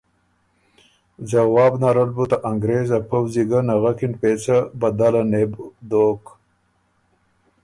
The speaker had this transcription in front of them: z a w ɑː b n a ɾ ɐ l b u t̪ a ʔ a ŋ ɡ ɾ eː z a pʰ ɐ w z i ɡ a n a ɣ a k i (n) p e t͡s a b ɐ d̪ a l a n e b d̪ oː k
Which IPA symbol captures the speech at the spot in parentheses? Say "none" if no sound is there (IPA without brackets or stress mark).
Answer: n